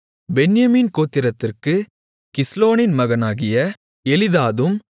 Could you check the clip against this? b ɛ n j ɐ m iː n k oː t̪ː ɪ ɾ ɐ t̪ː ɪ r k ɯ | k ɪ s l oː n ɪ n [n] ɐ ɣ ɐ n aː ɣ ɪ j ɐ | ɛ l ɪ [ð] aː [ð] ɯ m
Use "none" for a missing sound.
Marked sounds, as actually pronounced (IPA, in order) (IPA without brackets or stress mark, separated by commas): m, ð, ð